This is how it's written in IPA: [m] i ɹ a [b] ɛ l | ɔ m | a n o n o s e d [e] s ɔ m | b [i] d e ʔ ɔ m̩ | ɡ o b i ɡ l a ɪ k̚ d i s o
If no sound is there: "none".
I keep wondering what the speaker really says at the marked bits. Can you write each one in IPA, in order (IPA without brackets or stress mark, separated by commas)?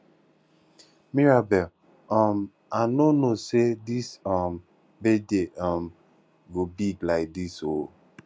m, b, i, e